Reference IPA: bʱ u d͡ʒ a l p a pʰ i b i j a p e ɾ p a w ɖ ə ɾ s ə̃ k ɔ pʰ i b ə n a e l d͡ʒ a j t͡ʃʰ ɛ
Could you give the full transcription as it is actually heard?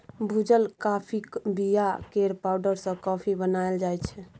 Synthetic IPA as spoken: bʱ u d͡ʒ ə l k a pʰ i b i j a k e ɾ p a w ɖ ə ɾ s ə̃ k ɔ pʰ i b ə n a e l d͡ʒ a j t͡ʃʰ ɛ